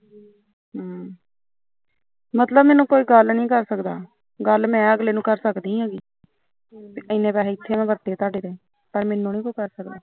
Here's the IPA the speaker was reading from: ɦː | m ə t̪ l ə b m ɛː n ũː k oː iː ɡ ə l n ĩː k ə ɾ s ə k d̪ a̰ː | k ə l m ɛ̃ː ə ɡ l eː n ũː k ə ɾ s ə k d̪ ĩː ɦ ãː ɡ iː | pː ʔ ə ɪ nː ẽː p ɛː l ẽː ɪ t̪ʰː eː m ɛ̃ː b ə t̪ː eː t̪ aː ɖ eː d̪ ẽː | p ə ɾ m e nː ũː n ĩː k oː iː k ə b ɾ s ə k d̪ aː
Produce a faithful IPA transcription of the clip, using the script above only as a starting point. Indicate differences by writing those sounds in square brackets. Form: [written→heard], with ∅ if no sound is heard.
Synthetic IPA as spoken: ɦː | m ə t̪ l ə b m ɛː n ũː k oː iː ɡ ə l n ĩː k ə ɾ s ə k d̪ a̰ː | [k→ɡ] ə l m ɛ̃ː ə ɡ l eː n ũː k ə ɾ s ə k d̪ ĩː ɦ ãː ɡ iː | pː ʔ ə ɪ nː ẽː p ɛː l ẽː ɪ t̪ʰː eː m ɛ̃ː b ə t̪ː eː t̪ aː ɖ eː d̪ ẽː | p ə ɾ m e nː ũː n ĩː k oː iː k ə [b→∅] ɾ s ə k d̪ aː

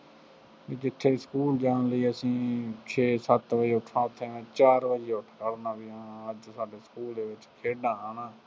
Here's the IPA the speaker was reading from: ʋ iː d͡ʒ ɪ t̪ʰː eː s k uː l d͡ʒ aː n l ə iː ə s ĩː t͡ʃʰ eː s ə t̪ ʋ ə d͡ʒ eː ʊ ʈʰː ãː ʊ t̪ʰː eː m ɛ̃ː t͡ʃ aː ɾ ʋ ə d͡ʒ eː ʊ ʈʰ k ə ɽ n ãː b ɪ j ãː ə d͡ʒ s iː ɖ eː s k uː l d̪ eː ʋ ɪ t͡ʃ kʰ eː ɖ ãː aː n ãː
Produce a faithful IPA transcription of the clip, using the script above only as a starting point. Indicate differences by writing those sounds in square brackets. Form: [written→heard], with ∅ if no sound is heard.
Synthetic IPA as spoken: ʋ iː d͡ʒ ɪ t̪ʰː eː s k uː l d͡ʒ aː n l ə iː ə s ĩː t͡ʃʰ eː s ə t̪ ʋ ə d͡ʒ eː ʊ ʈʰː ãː ʊ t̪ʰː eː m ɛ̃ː t͡ʃ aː ɾ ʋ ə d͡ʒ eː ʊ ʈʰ k ə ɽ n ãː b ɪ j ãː ə d͡ʒ s [iː→aː] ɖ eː s k uː l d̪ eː ʋ ɪ t͡ʃ kʰ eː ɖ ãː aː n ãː

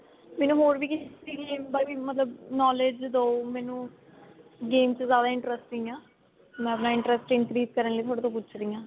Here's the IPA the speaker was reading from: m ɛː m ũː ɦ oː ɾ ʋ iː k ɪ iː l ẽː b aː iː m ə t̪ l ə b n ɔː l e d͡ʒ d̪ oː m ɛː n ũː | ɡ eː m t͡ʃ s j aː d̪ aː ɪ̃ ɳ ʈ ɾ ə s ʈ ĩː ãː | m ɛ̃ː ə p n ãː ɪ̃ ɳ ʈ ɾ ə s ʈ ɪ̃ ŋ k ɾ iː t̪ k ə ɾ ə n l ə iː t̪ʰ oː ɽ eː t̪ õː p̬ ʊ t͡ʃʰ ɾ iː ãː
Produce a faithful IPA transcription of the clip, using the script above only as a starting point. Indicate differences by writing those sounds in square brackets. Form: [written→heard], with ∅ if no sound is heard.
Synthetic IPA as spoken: m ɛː [m→n] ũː ɦ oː ɾ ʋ iː k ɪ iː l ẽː b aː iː m ə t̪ l ə b n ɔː l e d͡ʒ d̪ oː m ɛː n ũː | ɡ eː m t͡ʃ [s→z] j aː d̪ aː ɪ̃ ɳ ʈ ɾ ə s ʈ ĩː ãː | m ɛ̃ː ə p n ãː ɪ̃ ɳ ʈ ɾ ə s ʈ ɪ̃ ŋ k ɾ iː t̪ k ə ɾ ə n l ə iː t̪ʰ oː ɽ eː t̪ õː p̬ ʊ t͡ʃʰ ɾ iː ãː

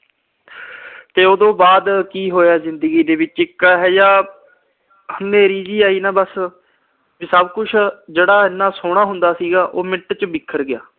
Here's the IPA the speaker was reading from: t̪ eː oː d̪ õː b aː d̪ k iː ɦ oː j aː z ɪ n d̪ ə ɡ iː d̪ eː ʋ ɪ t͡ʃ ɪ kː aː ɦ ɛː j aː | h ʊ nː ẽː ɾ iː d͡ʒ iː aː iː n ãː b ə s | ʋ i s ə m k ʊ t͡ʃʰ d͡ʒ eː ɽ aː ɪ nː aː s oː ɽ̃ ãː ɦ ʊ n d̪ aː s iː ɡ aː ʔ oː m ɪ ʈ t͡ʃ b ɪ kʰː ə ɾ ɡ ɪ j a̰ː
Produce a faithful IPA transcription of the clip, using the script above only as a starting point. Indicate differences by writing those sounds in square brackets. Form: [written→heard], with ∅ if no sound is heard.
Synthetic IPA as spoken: t̪ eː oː d̪ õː b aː d̪ k iː ɦ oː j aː z ɪ n d̪ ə ɡ iː d̪ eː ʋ ɪ t͡ʃ ɪ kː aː ɦ ɛː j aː | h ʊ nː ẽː ɾ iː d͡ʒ iː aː iː n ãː b ə s | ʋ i s ə [m→b] k ʊ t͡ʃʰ d͡ʒ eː ɽ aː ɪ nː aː s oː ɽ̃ [ãː→aː] ɦ ʊ n d̪ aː s iː ɡ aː ʔ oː m ɪ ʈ t͡ʃ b ɪ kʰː ə ɾ ɡ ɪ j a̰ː

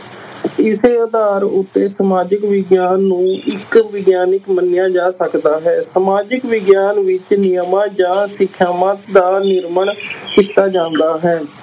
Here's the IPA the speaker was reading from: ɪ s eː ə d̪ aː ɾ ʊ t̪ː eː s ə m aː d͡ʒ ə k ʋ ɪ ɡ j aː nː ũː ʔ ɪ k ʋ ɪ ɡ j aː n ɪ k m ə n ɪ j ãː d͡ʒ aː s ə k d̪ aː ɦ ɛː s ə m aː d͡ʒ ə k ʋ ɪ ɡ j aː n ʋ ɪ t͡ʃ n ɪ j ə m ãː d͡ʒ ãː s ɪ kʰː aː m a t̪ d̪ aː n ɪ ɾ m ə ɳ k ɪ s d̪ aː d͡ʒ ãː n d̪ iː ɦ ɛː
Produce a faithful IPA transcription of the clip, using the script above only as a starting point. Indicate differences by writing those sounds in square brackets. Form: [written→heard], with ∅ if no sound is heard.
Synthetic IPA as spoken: ɪ s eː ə d̪ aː ɾ ʊ t̪ː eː s ə m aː d͡ʒ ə k ʋ ɪ ɡ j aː nː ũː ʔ ɪ k ʋ ɪ ɡ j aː n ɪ k m ə n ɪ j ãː d͡ʒ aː s ə k d̪ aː ɦ ɛː s ə m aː d͡ʒ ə k ʋ ɪ ɡ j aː n ʋ ɪ t͡ʃ n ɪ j ə m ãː d͡ʒ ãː s ɪ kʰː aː m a t̪ d̪ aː n ɪ ɾ m ə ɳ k ɪ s [d̪→t̪] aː d͡ʒ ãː n d̪ [iː→aː] ɦ ɛː

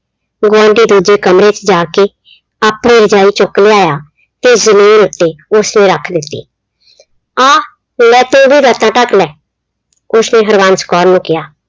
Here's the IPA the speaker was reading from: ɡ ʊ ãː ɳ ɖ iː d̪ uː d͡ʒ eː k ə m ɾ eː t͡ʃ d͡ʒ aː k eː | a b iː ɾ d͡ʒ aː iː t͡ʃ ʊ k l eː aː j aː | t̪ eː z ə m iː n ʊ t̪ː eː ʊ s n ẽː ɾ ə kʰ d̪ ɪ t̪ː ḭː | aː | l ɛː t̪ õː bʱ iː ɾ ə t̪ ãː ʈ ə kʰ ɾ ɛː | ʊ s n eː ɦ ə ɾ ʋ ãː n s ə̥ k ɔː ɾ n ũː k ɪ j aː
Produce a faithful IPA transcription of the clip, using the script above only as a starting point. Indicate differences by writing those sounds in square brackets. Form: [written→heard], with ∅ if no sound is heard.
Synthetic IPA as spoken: ɡ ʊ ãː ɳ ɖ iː d̪ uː d͡ʒ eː k ə m ɾ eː t͡ʃ d͡ʒ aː k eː | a [b→p] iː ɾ d͡ʒ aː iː t͡ʃ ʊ k l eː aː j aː | t̪ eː z ə m iː n ʊ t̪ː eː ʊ s n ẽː ɾ ə kʰ d̪ ɪ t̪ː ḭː | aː | l ɛː t̪ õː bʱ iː ɾ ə t̪ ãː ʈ ə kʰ [ɾ→l] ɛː | ʊ s n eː ɦ ə ɾ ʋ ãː n s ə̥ k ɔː ɾ n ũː k ɪ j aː

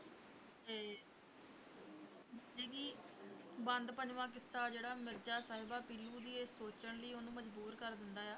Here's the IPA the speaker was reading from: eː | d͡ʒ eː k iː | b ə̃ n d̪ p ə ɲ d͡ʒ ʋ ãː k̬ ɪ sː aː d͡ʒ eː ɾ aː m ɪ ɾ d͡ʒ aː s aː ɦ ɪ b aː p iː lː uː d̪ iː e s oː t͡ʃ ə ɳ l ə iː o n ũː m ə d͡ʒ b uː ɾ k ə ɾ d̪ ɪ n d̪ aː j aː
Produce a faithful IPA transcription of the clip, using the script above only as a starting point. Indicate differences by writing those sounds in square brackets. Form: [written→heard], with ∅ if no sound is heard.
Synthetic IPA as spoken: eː | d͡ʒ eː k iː | b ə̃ n d̪ p ə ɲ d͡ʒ ʋ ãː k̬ ɪ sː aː d͡ʒ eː [ɾ→ɽ] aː m ɪ ɾ d͡ʒ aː s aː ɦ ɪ b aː p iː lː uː d̪ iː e s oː t͡ʃ ə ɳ l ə iː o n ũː m ə d͡ʒ b uː ɾ k ə ɾ d̪ ɪ n d̪ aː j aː

